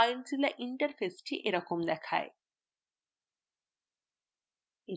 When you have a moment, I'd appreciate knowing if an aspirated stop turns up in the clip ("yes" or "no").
yes